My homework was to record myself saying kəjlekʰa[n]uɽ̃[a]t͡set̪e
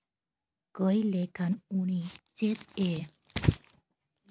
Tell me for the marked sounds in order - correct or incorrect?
correct, incorrect: i

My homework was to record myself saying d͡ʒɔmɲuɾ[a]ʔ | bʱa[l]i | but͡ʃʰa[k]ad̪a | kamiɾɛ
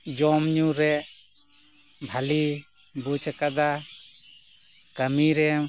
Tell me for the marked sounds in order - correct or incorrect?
incorrect: ɛ, correct, correct

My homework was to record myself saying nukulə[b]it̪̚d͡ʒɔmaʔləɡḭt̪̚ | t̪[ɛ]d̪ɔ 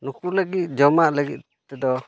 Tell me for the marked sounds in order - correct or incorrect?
incorrect: ɡ, correct

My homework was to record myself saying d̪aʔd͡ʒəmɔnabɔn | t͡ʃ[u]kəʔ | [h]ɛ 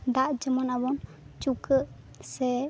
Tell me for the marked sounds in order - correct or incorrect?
correct, incorrect: s

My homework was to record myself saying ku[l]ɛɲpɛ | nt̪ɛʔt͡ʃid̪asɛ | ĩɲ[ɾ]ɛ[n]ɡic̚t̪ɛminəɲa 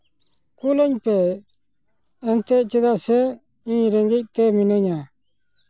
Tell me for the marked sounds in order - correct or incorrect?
correct, correct, incorrect: ŋ

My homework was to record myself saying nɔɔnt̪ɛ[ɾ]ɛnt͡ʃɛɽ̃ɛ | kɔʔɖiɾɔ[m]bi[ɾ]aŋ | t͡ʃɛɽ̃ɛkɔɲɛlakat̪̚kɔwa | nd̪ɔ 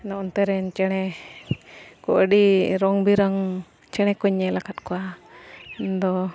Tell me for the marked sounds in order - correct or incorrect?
correct, incorrect: ŋ, correct

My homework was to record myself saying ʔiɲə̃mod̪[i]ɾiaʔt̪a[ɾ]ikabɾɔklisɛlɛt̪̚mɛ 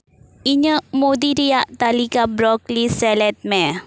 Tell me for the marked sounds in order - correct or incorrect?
correct, incorrect: l

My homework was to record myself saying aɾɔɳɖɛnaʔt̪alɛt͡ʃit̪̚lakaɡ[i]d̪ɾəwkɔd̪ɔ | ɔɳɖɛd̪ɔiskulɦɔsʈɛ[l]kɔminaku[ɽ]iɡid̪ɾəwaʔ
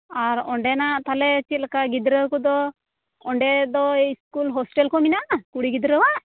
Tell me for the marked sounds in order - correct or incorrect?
correct, correct, correct

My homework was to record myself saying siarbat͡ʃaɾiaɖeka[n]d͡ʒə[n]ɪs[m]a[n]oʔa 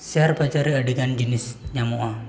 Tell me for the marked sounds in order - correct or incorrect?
correct, correct, incorrect: ɲ, incorrect: m

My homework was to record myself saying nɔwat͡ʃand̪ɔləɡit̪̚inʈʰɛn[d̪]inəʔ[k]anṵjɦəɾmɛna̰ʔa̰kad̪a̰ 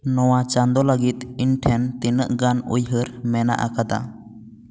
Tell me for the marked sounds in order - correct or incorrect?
incorrect: t̪, incorrect: ɡ

